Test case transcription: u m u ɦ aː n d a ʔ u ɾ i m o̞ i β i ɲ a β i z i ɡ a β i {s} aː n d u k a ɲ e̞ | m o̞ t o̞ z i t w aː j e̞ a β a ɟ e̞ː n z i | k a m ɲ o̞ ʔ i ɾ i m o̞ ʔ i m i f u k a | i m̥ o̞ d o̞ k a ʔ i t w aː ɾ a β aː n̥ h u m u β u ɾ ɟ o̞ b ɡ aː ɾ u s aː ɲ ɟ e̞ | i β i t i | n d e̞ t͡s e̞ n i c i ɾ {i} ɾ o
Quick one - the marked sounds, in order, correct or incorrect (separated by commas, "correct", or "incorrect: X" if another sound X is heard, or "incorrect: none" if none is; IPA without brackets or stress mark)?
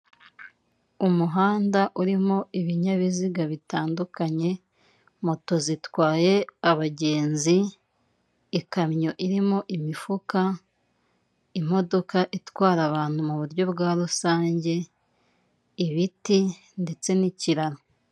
incorrect: t, incorrect: a